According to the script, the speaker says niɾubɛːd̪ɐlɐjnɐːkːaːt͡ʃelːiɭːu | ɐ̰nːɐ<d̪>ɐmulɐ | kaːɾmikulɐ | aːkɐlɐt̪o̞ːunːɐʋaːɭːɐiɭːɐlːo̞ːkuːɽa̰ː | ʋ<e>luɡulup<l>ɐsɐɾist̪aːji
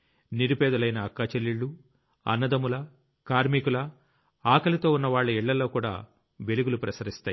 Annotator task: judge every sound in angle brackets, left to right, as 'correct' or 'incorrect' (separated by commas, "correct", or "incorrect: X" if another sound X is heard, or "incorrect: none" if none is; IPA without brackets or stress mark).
correct, correct, incorrect: ɾ